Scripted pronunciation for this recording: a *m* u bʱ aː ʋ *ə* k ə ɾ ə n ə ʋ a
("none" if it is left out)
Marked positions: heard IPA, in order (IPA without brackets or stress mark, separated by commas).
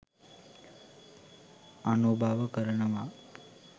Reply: n, ə